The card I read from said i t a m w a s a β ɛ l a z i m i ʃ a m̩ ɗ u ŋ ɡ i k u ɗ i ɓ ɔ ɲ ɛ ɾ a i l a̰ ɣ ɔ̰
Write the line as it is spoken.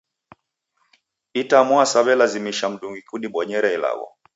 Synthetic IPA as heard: i t a m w a s a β ɛ l a z i m i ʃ a m̩ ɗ u ŋ ɡ i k u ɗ i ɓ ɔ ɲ ɛ ɾ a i l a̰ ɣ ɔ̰